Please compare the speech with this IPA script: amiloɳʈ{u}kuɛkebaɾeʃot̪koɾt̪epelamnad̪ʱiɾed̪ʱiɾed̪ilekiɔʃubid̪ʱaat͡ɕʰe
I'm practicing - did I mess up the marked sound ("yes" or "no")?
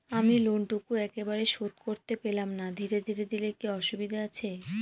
no